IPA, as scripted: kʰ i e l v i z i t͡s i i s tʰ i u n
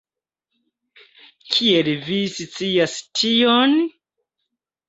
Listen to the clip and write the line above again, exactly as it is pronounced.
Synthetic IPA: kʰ i e l v i s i t͡s i a s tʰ i o n